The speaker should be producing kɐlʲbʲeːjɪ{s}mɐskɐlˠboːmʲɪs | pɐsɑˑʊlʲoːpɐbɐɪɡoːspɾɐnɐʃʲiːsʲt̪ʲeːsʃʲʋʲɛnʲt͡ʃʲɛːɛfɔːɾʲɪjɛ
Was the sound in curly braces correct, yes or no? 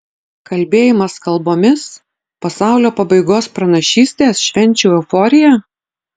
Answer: no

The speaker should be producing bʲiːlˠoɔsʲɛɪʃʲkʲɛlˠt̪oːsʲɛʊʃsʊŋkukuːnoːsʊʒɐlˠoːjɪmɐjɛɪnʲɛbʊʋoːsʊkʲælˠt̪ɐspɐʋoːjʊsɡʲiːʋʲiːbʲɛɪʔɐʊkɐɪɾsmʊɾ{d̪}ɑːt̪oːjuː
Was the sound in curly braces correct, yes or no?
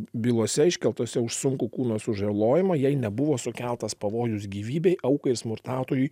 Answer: no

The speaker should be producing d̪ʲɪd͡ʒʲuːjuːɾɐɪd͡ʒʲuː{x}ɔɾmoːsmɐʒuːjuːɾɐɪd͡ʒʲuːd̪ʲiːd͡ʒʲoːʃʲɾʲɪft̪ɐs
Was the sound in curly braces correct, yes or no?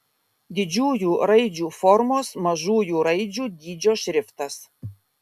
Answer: no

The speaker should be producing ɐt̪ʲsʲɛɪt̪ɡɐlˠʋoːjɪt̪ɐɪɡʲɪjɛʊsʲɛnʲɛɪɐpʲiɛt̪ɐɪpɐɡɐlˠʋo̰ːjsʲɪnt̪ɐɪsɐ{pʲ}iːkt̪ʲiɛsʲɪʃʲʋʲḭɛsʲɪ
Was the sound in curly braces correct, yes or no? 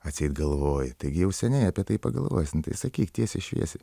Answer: no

